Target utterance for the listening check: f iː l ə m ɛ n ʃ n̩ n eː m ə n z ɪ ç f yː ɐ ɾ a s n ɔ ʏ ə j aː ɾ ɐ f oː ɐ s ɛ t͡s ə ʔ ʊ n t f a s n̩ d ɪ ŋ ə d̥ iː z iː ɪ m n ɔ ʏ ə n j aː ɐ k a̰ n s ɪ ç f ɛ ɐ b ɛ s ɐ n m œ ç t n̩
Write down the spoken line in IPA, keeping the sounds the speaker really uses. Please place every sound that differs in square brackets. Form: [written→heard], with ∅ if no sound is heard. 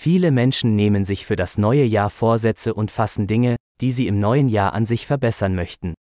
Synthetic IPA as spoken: f iː l ə m ɛ n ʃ n̩ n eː m ə n z ɪ ç f yː ɐ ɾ a s n ɔ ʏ ə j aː [ɾ→∅] ɐ f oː ɐ [s→z] ɛ t͡s ə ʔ ʊ n t f a s n̩ d ɪ ŋ ə d̥ iː z iː ɪ m n ɔ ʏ ə n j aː ɐ [k→ʔ] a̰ n [s→z] ɪ ç f ɛ ɐ b ɛ s ɐ n m œ ç t n̩